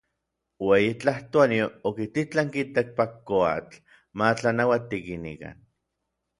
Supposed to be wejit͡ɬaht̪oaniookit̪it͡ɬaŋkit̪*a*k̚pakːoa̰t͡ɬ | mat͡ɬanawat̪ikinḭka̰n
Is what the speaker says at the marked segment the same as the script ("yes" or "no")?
yes